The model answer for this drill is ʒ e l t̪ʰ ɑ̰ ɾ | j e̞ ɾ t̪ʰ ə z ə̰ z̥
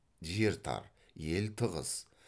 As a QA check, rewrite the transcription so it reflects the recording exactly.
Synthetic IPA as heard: ʒ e ɾ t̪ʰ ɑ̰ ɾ | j e̞ l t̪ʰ ə ʁ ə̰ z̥